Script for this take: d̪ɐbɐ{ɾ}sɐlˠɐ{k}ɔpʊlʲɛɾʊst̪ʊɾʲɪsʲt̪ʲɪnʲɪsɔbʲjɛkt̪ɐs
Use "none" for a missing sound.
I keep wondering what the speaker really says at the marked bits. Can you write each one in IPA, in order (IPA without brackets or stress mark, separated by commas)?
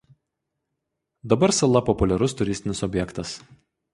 ɾ, p